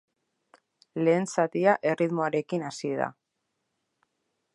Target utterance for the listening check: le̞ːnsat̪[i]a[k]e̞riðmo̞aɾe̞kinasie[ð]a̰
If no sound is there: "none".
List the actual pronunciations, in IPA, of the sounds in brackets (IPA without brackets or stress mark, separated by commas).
i, ʔ, ð